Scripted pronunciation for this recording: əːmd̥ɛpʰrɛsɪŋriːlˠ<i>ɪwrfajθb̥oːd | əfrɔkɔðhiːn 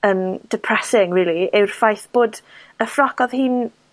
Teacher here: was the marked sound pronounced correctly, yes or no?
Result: yes